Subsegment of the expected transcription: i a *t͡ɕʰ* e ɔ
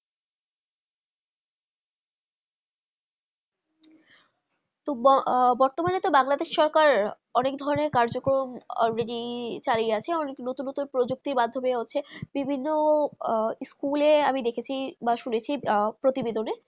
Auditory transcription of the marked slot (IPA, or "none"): t͡ɕʰ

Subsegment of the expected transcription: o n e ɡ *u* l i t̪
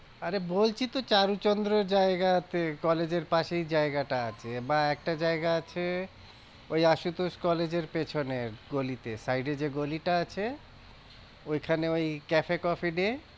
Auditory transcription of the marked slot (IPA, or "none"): o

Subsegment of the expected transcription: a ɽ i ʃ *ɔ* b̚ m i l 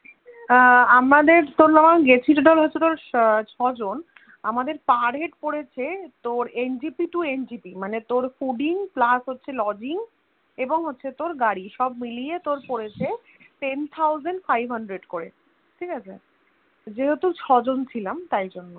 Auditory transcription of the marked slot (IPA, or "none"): ɔ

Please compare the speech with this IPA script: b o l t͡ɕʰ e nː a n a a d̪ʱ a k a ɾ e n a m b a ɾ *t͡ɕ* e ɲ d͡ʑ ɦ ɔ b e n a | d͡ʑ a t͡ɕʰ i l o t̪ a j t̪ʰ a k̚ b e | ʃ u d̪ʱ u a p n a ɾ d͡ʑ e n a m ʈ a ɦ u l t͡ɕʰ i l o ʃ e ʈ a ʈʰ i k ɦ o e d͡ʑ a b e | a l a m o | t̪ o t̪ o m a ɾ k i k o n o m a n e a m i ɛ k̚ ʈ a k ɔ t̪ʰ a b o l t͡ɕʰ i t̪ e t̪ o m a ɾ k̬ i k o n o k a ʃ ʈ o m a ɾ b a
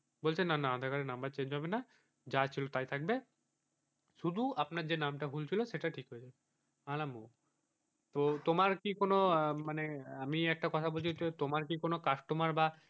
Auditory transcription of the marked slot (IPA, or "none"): t͡ɕ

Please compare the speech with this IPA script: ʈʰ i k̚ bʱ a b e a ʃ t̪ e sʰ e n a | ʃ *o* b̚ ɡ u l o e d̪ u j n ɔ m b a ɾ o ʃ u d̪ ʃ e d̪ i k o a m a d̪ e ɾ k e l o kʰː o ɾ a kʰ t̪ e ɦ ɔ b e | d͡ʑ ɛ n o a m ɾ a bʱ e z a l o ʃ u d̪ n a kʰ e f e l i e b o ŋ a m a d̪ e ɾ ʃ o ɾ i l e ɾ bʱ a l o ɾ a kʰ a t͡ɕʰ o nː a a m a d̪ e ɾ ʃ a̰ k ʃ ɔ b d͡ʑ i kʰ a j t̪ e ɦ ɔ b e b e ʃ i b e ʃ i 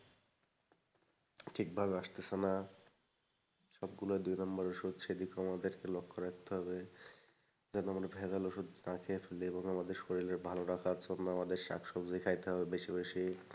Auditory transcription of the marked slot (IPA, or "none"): ɔ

